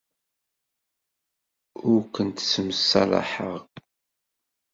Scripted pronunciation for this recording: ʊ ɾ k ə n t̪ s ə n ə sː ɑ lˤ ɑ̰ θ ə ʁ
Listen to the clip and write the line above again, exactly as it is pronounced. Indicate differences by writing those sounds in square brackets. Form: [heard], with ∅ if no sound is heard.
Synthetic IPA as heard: ʊ ɾ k ə n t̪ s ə [m] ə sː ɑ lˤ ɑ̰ [ħ] ə ʁ